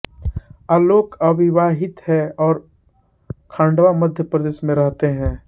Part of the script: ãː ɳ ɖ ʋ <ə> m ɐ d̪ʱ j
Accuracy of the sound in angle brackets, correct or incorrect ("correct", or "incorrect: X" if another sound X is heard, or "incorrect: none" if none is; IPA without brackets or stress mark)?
incorrect: a